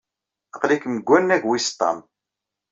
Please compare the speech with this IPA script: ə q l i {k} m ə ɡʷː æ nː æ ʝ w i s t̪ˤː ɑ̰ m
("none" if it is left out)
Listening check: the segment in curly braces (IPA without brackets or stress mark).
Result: k